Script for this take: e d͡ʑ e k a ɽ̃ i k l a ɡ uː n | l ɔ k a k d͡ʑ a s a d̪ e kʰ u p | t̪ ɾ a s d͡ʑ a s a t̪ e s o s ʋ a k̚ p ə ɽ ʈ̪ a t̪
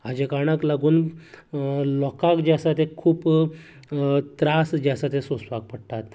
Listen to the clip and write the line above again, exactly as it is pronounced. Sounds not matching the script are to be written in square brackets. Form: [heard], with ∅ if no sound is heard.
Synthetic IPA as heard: [a] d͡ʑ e k a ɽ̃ [a] k l a ɡ uː n | l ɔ k a k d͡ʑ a s a [t̪] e kʰ [uː] p | t̪ ɾ a s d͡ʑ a s a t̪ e s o s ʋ a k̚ p ə ɽ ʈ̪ a t̪